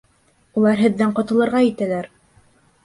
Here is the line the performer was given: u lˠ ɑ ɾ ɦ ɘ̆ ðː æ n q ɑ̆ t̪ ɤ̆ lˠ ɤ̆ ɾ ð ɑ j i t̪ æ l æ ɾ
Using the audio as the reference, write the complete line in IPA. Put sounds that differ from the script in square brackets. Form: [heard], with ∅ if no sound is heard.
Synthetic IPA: u lˠ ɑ ɾ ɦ ɘ̆ ðː æ [ɴ] q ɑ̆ t̪ ɤ̆ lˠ ɤ̆ ɾ [ʁ] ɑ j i t̪ æ l æ ɾ